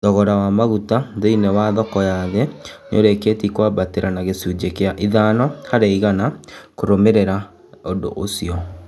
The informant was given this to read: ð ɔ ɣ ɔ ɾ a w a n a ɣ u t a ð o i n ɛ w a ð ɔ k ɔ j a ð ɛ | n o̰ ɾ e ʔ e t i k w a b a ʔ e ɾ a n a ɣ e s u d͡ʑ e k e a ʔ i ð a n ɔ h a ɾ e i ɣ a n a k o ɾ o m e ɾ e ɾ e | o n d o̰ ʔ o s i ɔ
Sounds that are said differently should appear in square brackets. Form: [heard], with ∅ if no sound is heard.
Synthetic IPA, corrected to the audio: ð ɔ ɣ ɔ ɾ a w a [m] a ɣ u t a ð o i n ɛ w a ð ɔ k ɔ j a ð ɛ | n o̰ ɾ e [k] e t i k w a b a [t] e ɾ a n a ɣ e s u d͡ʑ e k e a ʔ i ð a n ɔ h a ɾ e i ɣ a n a k o ɾ o m e ɾ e ɾ [a] | o n d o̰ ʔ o s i ɔ